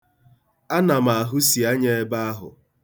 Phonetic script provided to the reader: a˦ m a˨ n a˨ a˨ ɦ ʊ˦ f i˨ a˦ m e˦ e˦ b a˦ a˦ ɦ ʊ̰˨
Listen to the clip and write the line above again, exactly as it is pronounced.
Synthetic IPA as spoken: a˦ n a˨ m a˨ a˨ ɦ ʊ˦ s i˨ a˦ ɲ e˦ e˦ b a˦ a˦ ɦ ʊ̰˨